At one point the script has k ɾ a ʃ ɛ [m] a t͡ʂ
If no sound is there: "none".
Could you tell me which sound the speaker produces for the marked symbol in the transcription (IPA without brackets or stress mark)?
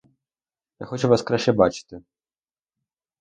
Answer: b